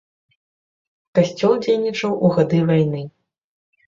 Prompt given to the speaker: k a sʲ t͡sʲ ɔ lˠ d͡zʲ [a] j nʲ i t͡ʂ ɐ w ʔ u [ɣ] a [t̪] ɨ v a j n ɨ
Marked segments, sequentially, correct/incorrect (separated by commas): incorrect, correct, incorrect